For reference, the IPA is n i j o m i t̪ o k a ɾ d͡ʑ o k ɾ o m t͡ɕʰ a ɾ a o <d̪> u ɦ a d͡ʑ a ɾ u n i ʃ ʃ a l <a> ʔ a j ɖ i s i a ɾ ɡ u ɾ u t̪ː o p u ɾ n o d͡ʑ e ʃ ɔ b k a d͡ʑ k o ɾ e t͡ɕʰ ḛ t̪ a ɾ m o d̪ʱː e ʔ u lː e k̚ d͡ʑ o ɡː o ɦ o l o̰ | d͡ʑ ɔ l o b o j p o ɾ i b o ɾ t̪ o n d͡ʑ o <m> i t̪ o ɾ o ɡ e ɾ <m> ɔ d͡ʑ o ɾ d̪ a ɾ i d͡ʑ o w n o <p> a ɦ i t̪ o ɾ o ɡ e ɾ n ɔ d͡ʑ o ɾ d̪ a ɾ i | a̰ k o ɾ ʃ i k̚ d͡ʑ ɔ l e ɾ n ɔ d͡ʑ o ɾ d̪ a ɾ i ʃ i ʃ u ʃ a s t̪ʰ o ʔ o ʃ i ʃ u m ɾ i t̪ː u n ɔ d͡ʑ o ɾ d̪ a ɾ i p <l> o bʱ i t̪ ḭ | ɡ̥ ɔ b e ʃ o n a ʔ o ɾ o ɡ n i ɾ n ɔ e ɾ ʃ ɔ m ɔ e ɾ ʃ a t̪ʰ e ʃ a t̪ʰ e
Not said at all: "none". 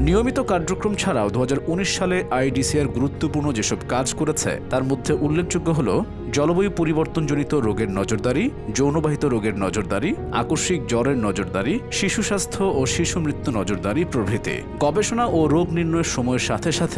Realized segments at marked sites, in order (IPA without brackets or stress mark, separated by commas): d̪, e, n, n, b, ɾ